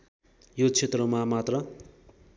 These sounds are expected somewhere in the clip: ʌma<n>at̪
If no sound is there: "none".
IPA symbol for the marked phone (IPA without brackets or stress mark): m